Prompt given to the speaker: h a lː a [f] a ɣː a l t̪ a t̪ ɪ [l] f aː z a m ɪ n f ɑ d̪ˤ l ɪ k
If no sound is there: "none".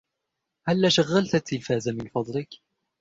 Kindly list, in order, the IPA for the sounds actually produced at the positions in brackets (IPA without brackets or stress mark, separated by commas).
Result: ʃ, l